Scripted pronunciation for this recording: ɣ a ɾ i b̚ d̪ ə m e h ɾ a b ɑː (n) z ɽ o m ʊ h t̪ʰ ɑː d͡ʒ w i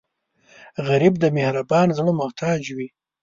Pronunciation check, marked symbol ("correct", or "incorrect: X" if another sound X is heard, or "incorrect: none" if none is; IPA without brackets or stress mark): correct